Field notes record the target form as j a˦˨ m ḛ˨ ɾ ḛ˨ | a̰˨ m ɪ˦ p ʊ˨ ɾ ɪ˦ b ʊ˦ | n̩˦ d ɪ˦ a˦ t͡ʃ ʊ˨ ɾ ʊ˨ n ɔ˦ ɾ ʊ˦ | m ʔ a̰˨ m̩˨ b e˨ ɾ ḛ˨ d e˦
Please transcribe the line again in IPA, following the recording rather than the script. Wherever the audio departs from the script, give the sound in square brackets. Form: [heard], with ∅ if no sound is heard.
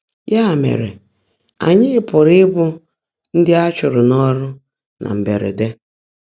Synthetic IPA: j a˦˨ m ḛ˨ ɾ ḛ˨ | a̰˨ [ɲ] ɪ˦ p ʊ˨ ɾ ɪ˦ b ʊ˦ | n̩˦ d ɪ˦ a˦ t͡ʃ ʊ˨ ɾ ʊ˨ n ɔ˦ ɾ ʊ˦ | [n] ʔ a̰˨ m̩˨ b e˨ ɾ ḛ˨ d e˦